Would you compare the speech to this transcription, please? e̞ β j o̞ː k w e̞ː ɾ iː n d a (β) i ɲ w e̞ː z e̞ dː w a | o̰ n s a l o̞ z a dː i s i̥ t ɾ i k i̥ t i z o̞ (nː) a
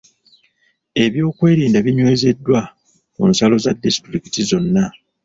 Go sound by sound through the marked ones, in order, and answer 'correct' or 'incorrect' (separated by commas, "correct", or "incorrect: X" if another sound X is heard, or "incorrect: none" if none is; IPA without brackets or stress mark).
correct, correct